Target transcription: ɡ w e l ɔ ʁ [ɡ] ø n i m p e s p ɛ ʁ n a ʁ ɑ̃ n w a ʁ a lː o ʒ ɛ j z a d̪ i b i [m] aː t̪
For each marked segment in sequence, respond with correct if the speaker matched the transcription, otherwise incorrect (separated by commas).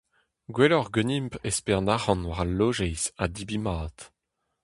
correct, correct